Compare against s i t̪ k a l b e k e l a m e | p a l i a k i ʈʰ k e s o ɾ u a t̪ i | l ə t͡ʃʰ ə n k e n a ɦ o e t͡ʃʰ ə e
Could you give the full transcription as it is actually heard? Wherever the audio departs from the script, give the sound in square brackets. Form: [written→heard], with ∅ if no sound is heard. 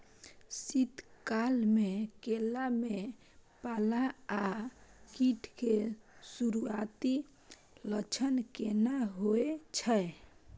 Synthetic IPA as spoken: s i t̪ k a l [b→m] e k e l a m e | p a l [i→a] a k i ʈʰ k e s [o→u] ɾ u a t̪ i | l ə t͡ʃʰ ə n k e n a ɦ o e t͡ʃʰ ə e